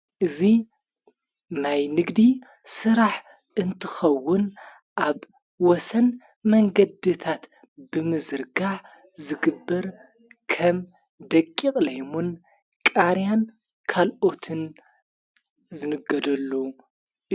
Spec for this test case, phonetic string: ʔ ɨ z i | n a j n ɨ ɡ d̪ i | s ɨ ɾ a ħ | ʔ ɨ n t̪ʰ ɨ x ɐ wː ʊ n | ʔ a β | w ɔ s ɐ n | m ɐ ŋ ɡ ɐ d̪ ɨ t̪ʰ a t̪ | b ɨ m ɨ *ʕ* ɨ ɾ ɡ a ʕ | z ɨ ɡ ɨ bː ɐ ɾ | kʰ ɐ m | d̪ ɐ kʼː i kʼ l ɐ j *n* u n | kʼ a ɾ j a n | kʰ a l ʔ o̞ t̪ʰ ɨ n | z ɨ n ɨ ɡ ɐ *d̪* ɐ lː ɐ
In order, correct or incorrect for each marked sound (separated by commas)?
incorrect, incorrect, correct